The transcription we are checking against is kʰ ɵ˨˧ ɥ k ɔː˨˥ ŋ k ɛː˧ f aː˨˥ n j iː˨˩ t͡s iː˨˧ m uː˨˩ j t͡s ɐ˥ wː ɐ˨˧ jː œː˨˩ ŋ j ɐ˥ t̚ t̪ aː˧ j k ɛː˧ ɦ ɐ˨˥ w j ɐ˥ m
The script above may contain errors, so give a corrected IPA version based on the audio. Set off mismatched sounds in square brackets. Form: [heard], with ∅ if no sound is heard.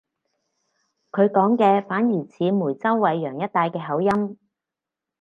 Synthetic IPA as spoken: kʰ ɵ˨˧ ɥ k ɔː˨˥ ŋ k ɛː˧ f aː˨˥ n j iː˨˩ [t͡sʰ] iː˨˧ m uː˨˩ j t͡s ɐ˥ wː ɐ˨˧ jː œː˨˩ ŋ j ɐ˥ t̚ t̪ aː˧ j k ɛː˧ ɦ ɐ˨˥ w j ɐ˥ m